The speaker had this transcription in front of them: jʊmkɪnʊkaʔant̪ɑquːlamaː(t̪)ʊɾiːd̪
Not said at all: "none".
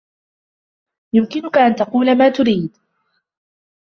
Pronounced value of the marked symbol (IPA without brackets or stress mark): t̪